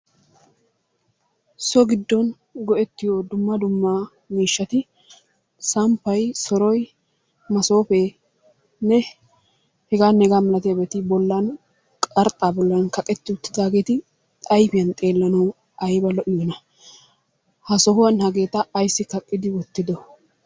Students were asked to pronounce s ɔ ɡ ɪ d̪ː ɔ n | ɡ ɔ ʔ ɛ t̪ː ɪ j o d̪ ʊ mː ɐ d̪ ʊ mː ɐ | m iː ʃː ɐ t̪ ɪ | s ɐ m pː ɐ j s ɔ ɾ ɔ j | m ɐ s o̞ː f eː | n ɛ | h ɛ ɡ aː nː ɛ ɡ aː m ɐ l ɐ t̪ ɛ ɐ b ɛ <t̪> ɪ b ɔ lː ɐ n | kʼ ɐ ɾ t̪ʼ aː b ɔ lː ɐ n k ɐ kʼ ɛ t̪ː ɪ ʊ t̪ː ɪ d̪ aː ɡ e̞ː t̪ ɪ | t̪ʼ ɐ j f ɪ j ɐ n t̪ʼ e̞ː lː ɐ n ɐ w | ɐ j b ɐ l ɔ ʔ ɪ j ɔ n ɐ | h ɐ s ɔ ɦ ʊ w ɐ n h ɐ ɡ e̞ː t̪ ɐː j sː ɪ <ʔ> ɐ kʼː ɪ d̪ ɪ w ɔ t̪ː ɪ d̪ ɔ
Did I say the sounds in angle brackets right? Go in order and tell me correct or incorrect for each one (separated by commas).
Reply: correct, incorrect